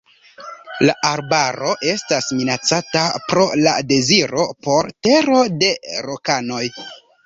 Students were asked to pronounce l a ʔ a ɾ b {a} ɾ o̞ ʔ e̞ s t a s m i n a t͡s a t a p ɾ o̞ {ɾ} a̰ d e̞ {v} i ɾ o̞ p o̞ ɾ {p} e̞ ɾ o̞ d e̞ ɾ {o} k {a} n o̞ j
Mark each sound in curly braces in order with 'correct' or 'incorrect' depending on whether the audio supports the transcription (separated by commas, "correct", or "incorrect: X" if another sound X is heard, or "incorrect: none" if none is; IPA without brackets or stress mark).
correct, incorrect: l, incorrect: z, incorrect: t, correct, correct